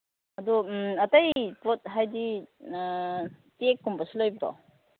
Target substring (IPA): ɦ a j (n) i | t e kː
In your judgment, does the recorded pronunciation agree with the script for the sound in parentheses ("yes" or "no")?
no